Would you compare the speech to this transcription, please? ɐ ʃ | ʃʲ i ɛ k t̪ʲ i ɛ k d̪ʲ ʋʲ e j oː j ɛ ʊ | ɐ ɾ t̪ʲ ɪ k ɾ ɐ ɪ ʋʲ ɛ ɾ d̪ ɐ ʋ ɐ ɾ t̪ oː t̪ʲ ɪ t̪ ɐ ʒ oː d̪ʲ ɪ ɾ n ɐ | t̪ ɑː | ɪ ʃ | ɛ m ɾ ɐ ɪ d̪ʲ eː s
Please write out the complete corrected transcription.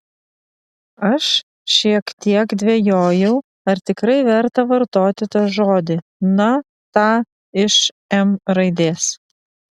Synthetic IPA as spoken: ɐ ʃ | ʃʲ i ɛ k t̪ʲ i ɛ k d̪ʲ ʋʲ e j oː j ɛ ʊ | ɐ ɾ t̪ʲ ɪ k ɾ ɐ ɪ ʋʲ ɛ ɾ t̪ ɐ ʋ ɐ ɾ t̪ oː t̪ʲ ɪ t̪ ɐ ʒ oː d̪ʲ ɪ n ɐ | t̪ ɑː | ɪ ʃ | ɛ m ɾ ɐ ɪ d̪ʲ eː s